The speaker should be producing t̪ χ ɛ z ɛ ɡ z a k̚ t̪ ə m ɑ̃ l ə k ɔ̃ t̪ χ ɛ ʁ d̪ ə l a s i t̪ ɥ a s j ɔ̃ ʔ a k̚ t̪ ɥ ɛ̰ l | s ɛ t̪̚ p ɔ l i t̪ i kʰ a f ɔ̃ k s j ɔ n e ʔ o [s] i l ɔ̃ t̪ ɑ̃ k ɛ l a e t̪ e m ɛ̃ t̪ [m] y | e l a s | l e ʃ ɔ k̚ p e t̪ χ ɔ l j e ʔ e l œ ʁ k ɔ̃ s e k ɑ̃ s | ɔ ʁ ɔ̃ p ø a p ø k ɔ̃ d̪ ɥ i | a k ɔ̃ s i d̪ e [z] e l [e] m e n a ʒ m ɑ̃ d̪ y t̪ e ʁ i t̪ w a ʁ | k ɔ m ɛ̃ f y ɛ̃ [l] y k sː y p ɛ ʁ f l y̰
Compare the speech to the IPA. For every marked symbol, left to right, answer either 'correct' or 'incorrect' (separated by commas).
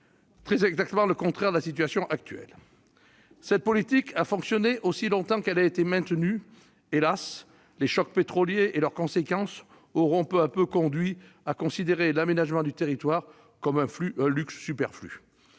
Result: correct, incorrect, incorrect, incorrect, correct